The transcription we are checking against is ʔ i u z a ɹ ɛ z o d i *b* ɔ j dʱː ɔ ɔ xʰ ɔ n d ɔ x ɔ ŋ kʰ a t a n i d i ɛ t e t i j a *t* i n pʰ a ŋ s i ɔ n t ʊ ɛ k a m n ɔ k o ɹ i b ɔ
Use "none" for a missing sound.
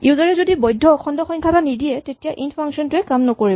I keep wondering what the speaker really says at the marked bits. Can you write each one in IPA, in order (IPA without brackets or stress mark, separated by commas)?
b, ʔ